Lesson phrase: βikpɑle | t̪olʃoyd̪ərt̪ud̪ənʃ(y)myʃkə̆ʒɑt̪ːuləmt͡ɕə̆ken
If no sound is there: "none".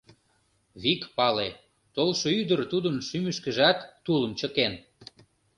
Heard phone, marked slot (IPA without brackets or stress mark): y